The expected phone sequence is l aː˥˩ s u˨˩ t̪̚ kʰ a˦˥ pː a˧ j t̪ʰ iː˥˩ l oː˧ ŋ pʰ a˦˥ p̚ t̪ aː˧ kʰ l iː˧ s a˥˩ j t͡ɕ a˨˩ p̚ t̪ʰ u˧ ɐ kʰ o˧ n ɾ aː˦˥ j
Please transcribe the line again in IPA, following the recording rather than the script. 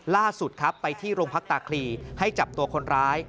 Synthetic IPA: l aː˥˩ s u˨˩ t̪̚ kʰ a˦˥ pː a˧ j t̪ʰ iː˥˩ ɾ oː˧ ŋ pʰ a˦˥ k̚ t̪ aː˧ kʰ l iː˧ h a˥˩ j t͡ɕ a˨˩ p̚ t̪ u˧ ɐ kʰ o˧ n ɾ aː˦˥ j